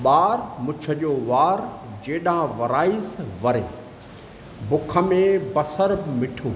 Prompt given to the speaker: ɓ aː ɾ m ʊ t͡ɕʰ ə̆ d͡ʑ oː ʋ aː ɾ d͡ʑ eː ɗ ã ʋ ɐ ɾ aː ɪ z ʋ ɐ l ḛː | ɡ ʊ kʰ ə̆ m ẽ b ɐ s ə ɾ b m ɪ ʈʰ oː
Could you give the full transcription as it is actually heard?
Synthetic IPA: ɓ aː ɾ m ʊ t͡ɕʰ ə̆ d͡ʑ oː ʋ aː ɾ d͡ʑ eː ɗ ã ʋ ɐ ɾ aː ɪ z ʋ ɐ ɾ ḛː | b ʊ kʰ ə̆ m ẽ b ɐ s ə ɾ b m ɪ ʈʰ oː

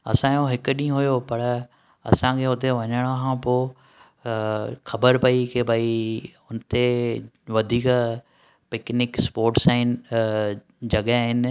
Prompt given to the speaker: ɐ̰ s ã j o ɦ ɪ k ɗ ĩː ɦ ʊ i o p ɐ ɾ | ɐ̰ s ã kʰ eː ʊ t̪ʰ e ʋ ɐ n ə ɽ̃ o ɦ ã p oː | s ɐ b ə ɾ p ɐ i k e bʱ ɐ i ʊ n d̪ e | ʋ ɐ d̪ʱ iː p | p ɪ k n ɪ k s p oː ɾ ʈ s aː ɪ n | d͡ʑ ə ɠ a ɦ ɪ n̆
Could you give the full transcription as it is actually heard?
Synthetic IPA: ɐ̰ s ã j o ɦ ɪ k ɗ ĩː ɦ ʊ j o p ɐ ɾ | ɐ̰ s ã kʰ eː ʊ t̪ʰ e ʋ ɐ ɲ ə ɽ̃ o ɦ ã p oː | x ɐ b ə ɾ p ɐ i k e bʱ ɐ i ʊ n t̪ e | ʋ ɐ d̪ʱ iː k | p ɪ k n ɪ k s p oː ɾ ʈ s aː ɪ n | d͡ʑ ɐ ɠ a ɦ ɪ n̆

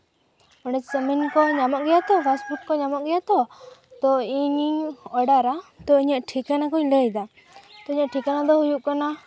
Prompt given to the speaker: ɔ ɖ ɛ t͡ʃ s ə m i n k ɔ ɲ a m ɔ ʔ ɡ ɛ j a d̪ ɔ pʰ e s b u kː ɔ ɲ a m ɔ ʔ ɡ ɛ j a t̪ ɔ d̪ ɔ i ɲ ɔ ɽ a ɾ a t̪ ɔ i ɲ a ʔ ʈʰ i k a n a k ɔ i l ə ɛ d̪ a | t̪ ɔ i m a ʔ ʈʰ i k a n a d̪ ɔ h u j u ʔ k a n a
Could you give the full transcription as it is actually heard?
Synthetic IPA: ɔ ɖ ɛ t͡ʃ s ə m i n k ɔ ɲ a m ɔ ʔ ɡ ɛ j a t̪ ɔ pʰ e s b u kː ɔ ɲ a m ɔ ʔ ɡ ɛ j a t̪ ɔ t̪ ɔ i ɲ ɔ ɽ a ɾ a t̪ ɔ i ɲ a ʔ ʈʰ i k a n a k ɔ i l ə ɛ d̪ a | t̪ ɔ i ɲ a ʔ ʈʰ i k a n a d̪ ɔ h u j u ʔ k a n a

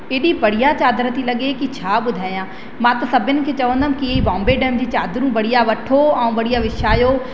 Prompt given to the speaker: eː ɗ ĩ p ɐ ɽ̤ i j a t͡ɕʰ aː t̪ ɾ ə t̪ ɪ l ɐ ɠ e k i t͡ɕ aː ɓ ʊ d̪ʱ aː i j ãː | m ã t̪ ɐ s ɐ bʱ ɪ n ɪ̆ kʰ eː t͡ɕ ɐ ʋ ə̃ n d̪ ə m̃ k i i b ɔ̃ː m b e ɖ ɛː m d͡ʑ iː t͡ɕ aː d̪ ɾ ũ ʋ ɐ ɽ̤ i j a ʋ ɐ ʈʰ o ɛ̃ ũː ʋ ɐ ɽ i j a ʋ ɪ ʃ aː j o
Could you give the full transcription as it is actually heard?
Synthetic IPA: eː ɗ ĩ p ɐ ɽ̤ i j a t͡ɕ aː d̪ ɾ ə t̪ i l ɐ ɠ e k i t͡ɕʰ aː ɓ ʊ d̪ʱ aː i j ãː | m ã t̪ ɐ s ɐ bʱ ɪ n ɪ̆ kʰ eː t͡ɕ ɐ ʋ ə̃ n d̪ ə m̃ k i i b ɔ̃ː m b e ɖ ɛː m d͡ʑ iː t͡ɕ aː d̪ ɾ ũ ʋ ɐ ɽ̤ i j a ʋ ɐ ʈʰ o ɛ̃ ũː ʋ ɐ ɽ i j a ʋ ɪ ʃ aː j o

